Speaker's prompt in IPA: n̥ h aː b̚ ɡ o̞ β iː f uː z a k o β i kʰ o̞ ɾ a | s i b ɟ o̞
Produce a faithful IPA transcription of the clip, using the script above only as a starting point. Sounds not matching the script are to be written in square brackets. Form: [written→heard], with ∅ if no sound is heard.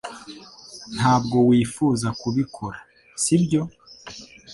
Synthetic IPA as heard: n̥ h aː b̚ ɡ o̞ [β→w] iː f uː z a k [o→u] β i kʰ o̞ ɾ a | s i b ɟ o̞